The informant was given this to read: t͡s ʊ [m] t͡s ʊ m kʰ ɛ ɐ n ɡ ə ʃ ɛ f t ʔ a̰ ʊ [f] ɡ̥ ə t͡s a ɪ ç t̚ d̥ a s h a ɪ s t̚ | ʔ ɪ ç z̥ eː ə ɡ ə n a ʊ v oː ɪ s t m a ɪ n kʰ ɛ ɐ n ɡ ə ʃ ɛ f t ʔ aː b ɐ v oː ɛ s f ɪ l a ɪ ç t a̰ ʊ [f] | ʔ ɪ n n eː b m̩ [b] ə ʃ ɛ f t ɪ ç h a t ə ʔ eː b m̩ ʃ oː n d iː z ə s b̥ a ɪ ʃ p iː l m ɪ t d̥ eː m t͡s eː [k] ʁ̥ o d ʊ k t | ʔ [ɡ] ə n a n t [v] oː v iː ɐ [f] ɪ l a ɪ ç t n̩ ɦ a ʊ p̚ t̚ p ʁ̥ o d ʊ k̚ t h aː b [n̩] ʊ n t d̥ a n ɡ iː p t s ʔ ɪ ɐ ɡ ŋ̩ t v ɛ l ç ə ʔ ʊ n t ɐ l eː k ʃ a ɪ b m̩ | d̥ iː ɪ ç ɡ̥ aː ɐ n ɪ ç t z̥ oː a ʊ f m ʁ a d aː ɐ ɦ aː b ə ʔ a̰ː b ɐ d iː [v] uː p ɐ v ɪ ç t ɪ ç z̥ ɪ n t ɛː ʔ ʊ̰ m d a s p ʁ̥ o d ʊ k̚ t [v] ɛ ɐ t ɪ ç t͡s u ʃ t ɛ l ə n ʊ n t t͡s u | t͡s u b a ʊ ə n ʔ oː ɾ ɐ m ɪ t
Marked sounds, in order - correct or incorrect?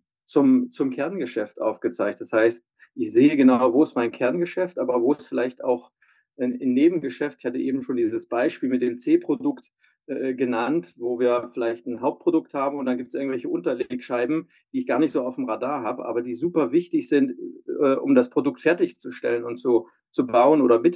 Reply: correct, correct, incorrect: x, incorrect: ɡ, incorrect: p, correct, correct, correct, incorrect: m̩, incorrect: z, incorrect: f

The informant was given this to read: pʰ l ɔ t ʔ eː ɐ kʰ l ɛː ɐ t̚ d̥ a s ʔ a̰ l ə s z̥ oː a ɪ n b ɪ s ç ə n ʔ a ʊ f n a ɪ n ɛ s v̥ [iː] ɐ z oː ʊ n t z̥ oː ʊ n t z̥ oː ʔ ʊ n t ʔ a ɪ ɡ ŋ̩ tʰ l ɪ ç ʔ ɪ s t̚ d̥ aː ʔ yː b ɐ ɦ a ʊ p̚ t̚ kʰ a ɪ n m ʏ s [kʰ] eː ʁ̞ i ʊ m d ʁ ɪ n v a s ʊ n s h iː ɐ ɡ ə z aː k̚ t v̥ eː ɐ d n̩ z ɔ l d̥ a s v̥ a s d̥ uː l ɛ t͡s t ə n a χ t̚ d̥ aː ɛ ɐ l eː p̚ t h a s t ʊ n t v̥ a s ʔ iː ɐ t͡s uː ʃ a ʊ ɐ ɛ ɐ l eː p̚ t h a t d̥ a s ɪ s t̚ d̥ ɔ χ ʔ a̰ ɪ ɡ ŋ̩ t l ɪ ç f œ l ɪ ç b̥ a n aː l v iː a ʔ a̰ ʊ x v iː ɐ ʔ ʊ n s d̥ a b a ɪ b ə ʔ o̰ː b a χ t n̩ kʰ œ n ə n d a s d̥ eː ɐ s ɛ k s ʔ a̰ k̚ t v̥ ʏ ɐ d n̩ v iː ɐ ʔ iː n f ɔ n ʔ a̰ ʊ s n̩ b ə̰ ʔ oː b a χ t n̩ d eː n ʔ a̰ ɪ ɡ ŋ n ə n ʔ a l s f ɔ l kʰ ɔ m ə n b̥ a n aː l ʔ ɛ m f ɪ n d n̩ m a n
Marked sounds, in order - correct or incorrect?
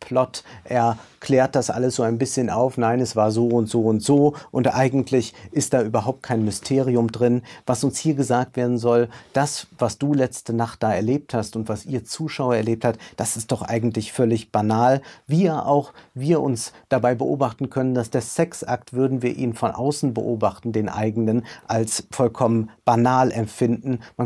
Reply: incorrect: aː, incorrect: tʰ

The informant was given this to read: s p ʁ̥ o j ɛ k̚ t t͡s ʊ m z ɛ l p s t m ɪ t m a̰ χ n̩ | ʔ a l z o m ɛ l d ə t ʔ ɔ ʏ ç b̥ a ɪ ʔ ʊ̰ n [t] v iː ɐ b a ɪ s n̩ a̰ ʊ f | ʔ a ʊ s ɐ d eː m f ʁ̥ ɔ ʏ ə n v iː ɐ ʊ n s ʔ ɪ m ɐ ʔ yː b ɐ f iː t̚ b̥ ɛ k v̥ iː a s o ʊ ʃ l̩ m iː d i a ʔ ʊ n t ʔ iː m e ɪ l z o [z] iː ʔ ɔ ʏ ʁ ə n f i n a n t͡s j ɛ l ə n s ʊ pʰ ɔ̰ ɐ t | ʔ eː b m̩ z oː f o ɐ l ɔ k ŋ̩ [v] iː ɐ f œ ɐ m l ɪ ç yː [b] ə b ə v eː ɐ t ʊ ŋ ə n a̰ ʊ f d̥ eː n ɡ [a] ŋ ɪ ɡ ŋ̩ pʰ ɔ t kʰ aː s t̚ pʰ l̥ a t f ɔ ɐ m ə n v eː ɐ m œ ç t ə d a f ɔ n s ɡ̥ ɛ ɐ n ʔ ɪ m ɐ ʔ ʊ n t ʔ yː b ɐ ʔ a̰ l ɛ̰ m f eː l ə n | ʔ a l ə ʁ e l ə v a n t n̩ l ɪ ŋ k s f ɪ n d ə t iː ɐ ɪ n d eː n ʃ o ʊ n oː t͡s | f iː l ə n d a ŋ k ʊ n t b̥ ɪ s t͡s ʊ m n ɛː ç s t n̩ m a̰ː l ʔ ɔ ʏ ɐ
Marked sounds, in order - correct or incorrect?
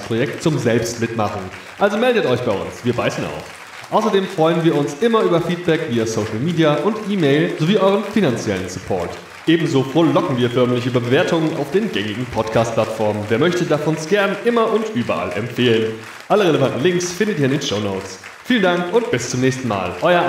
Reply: incorrect: s, incorrect: v, correct, correct, incorrect: ɛ

